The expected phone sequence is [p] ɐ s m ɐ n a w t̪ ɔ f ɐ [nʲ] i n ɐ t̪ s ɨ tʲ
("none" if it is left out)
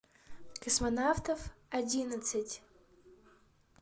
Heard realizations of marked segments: k, dʲ

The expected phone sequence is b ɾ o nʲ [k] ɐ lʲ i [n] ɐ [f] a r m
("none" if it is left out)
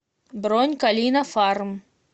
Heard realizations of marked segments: k, n, f

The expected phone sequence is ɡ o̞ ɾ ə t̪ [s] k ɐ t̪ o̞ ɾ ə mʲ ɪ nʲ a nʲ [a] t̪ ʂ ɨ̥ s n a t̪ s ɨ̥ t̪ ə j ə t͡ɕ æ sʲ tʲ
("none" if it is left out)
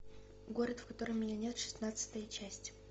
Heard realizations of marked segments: f, e

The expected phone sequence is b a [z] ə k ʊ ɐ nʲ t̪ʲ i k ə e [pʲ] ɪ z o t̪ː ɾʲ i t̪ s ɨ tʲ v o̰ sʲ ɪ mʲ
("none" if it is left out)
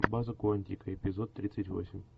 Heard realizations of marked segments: z, pʲ

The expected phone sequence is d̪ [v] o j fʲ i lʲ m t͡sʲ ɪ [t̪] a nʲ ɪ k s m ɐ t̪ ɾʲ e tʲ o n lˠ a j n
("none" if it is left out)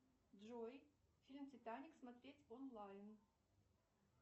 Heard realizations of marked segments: ʐ, t̪

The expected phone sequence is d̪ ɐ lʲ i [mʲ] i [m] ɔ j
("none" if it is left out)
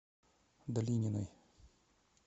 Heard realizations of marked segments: nʲ, n

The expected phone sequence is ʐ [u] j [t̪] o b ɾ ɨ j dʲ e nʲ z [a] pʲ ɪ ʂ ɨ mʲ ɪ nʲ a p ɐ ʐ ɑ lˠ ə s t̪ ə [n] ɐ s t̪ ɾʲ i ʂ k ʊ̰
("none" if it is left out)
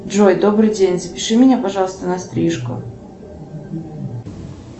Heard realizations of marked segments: o, d̪, ə, n

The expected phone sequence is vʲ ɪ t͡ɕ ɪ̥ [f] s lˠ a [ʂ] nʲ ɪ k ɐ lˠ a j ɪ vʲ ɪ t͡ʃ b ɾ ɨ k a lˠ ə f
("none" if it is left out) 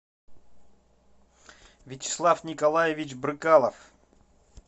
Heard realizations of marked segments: none, f

